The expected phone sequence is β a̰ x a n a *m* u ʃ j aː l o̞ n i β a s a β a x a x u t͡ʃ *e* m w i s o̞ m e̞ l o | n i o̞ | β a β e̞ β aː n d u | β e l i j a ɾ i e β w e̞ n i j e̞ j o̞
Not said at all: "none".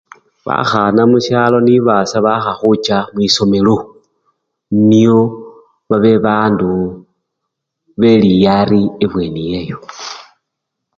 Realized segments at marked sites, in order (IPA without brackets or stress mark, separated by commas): m, a